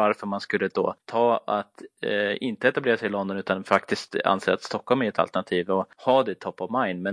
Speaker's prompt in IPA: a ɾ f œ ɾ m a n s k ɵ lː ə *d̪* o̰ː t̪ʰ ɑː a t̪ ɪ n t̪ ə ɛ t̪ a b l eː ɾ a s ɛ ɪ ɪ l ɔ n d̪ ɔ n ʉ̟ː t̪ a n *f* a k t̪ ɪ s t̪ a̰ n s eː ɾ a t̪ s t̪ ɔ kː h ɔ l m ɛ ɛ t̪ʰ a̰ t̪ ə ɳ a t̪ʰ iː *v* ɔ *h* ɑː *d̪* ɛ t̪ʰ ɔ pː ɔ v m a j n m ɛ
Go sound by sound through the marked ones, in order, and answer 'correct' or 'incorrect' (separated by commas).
correct, correct, correct, correct, correct